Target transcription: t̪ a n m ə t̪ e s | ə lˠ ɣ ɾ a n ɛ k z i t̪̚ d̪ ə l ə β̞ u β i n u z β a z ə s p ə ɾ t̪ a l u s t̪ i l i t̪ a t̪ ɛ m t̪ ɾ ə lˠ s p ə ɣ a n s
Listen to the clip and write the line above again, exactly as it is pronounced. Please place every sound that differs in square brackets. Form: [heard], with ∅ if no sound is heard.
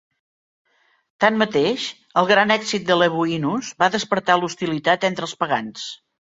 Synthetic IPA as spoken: t̪ a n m ə t̪ e [ʃ] | ə lˠ ɣ ɾ a n ɛ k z i t̪̚ d̪ ə l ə β̞ u [∅] i n u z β a [ð] ə s p ə ɾ t̪ a l u s t̪ i l i t̪ a t̪ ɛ [n] t̪ ɾ ə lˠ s p ə ɣ a n s